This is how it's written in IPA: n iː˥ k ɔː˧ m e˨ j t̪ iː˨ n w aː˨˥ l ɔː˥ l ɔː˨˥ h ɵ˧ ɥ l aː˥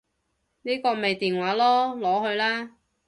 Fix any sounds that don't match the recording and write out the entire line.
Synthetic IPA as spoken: n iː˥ k ɔː˧ m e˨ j t̪ iː˨ n w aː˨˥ l ɔː˥ l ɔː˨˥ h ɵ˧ ɥ l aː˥